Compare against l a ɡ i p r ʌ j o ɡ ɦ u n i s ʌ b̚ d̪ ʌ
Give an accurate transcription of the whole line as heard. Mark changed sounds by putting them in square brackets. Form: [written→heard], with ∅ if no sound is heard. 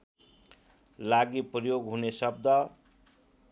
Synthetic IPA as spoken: l a ɡ i p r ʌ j o ɡ ɦ u n [i→e] s ʌ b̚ d̪ ʌ